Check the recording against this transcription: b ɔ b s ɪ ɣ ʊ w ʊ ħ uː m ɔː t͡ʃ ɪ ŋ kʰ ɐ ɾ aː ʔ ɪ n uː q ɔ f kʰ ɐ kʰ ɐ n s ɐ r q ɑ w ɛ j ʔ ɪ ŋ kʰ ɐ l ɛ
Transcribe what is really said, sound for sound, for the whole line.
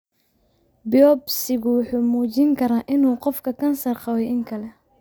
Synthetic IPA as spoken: b ɔ b s ɪ ɣ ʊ w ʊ ħ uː m uː t͡ʃ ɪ ŋ kʰ ɐ ɾ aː ʔ ɪ n uː q ɔ f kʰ ɐ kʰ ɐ n s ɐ r q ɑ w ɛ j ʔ ɪ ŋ kʰ ɐ l ɛ